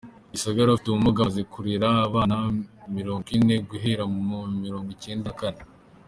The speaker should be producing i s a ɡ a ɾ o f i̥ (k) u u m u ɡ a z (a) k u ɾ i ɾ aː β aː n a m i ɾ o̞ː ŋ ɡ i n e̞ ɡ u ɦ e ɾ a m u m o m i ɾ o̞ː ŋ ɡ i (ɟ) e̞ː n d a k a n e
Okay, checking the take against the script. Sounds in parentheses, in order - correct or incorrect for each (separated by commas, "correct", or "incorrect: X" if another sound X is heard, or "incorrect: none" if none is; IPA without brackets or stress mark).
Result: incorrect: t, incorrect: e, incorrect: c